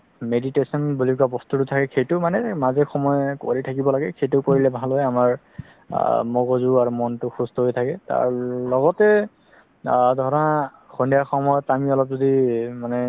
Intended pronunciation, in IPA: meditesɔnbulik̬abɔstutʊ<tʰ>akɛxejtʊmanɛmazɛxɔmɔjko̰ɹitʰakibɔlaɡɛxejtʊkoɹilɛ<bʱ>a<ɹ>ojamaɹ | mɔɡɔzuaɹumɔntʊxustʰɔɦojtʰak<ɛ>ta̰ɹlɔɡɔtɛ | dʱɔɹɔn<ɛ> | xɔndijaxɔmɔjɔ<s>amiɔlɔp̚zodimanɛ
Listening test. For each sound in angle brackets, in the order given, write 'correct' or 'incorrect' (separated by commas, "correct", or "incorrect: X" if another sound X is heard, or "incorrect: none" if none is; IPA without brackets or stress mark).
correct, correct, incorrect: l, correct, incorrect: a, incorrect: t